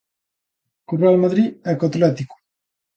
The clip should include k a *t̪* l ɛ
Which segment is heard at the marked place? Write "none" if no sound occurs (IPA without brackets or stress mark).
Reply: t̪